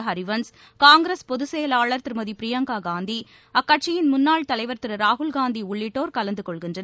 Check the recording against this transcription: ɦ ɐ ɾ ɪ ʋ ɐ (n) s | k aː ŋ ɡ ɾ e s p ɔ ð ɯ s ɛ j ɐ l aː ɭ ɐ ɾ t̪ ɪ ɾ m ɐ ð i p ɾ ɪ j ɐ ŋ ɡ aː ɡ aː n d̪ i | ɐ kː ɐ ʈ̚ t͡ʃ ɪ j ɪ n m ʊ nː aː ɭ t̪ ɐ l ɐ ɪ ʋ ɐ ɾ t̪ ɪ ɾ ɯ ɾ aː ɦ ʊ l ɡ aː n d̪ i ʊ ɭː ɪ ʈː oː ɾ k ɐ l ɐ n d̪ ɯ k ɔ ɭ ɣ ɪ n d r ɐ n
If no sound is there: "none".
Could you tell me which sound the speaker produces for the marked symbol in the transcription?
n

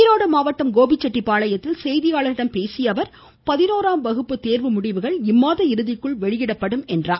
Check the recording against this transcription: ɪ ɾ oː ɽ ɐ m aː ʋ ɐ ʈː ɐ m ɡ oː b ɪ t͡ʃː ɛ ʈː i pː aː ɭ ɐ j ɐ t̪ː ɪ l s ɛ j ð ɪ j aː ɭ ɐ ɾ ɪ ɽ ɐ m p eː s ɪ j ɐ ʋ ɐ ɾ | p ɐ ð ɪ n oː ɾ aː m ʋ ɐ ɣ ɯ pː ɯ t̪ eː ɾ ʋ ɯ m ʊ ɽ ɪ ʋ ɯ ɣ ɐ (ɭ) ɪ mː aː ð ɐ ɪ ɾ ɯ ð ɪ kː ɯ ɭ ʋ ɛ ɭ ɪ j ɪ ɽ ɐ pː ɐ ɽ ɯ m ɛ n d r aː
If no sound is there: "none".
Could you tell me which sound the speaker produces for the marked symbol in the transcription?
ɭ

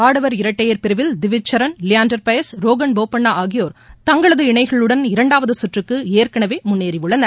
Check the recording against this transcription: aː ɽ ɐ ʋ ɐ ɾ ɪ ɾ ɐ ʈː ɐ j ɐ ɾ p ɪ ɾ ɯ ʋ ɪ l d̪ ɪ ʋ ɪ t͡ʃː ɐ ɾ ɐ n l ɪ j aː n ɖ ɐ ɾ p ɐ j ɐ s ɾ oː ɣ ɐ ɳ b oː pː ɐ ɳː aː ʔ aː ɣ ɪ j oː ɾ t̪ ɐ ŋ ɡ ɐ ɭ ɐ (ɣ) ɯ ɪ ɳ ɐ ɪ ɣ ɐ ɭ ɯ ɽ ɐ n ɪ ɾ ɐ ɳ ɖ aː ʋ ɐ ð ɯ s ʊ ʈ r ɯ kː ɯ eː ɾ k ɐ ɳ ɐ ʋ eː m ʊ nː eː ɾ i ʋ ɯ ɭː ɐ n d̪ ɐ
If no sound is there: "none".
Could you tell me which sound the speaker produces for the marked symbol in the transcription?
ð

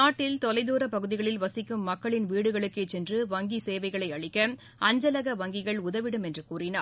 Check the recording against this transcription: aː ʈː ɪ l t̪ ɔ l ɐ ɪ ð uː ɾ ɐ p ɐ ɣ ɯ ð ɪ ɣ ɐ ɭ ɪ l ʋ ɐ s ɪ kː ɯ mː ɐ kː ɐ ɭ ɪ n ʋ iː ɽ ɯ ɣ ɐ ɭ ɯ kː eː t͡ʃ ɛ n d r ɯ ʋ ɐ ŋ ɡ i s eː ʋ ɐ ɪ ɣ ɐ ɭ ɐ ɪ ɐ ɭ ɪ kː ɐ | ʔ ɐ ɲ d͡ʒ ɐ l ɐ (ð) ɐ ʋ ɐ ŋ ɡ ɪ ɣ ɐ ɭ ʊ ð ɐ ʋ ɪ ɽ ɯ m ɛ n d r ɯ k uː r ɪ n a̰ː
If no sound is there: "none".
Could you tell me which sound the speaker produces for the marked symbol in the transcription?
ɣ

